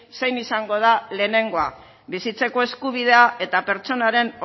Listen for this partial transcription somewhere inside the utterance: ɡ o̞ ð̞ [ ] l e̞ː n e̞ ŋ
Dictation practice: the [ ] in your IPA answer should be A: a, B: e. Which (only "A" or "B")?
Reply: A